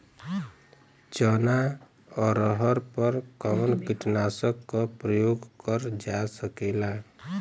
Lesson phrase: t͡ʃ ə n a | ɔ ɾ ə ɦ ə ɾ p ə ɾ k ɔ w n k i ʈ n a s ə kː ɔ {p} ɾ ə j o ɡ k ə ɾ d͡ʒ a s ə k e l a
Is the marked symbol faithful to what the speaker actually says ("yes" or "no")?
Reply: yes